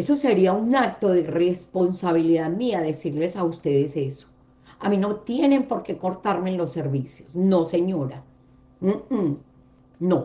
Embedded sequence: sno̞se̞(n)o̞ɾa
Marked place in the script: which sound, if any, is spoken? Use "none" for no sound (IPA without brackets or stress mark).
ɲ